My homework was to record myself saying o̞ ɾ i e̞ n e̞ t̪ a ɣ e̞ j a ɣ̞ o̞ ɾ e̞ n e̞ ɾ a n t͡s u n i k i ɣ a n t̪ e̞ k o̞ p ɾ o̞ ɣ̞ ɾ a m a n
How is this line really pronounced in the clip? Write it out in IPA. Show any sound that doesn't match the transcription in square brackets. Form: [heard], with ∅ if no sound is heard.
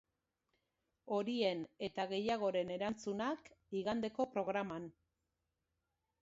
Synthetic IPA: o̞ ɾ i e̞ n e̞ t̪ a ɣ e̞ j a ɣ̞ o̞ ɾ e̞ n e̞ ɾ a n t͡s u n [a] k i ɣ a n [d̪] e̞ k o̞ p ɾ o̞ ɣ̞ ɾ a m a n